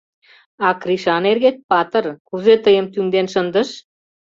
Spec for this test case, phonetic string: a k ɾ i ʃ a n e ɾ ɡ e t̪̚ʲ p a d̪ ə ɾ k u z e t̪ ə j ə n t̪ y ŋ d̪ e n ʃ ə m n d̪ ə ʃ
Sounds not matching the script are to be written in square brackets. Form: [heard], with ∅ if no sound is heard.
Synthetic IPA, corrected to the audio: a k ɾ i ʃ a n e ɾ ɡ e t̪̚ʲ p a [t̪] ə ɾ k u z e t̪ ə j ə [m] t̪ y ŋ d̪ e n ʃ ə [∅] n d̪ ə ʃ